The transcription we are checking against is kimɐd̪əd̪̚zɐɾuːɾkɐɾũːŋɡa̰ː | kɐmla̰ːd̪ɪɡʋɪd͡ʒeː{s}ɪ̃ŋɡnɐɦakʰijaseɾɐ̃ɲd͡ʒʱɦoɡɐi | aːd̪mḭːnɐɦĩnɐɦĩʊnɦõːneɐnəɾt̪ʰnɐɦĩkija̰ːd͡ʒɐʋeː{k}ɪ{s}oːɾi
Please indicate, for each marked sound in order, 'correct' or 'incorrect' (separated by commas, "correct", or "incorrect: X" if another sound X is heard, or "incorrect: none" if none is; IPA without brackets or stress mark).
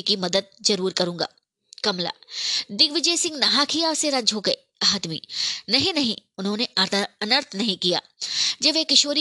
correct, correct, incorrect: ʃ